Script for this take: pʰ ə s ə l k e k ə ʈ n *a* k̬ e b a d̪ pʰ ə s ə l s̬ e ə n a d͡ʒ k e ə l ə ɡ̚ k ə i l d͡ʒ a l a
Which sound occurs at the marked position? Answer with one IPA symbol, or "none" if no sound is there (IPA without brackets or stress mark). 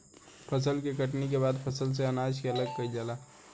i